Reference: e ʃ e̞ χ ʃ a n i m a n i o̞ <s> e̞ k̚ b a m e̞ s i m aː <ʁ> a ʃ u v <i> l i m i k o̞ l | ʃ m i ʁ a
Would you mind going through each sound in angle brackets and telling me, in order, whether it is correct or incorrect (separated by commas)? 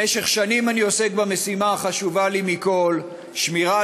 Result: correct, incorrect, incorrect